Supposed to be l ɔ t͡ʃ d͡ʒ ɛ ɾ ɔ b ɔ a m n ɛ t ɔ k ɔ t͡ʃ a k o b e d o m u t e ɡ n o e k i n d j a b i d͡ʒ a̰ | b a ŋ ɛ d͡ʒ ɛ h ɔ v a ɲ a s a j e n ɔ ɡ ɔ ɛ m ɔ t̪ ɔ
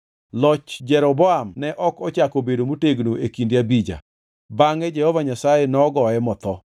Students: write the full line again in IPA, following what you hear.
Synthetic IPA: l ɔ t͡ʃ d͡ʒ ɛ ɾ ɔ b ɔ a m n ɛ ʔ ɔ k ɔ t͡ʃ a k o b e d o m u t e ɡ n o e k i n d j a b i d͡ʒ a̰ | b a ŋ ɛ d͡ʒ ɛ h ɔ v a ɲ a s a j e n ɔ ɡ ɔ ɛ m ɔ t̪ ɔ